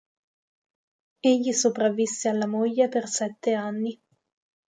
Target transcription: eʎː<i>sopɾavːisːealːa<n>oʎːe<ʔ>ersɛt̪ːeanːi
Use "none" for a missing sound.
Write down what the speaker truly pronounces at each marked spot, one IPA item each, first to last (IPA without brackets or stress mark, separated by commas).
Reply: i, m, p